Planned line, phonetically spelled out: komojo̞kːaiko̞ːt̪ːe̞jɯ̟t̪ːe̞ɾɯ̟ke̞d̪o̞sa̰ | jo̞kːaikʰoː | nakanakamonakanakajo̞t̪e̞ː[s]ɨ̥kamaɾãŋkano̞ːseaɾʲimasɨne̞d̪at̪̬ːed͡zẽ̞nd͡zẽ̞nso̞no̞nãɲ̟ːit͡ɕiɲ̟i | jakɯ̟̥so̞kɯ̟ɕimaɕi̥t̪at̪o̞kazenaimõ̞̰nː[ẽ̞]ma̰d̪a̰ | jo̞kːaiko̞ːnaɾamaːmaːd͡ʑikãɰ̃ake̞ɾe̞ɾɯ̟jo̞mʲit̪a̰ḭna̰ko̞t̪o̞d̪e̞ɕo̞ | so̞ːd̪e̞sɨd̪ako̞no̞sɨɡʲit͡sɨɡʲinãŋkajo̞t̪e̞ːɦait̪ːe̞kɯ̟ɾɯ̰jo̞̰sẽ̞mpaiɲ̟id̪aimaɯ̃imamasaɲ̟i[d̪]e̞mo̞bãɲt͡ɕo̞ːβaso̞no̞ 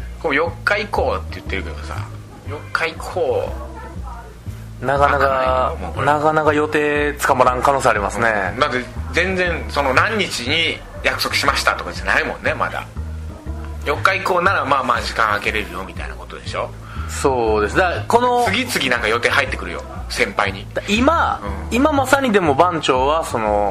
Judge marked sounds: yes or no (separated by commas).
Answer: no, no, yes